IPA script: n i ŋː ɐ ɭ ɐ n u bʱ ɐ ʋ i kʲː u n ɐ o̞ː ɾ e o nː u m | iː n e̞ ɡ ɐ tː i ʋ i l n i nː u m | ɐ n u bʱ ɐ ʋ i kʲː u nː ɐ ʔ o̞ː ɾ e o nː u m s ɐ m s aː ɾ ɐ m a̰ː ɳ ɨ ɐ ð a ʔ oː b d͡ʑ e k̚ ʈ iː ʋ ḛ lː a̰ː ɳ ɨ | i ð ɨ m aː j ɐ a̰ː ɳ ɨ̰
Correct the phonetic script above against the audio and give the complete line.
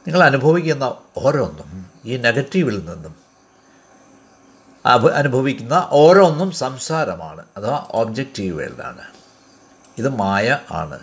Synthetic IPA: n i ŋː ɐ ɭ ɐ n u bʱ ɐ ʋ i kʲː u nː ɐ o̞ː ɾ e o nː u m | iː n e̞ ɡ ɐ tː i ʋ i l n i nː u m | ɐ n u bʱ ɐ ʋ i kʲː u nː ɐ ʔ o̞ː ɾ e o nː u m s ɐ m s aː ɾ ɐ m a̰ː ɳ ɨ ɐ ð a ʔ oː b d͡ʑ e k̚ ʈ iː ʋ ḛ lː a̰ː ɳ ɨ | i ð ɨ m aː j ɐ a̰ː ɳ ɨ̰